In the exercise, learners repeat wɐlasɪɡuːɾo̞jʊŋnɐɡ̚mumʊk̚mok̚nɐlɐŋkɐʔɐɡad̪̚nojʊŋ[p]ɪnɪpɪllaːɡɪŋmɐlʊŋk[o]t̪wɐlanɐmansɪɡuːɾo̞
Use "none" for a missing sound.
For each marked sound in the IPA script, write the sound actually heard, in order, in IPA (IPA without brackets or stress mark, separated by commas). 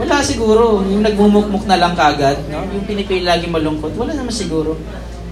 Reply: p, o